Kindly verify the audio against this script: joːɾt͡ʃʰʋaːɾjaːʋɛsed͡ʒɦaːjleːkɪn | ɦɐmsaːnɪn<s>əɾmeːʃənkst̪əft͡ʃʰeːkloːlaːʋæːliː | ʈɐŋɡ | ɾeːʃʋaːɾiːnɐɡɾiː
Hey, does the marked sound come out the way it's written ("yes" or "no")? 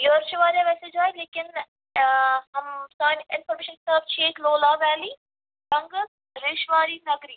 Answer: no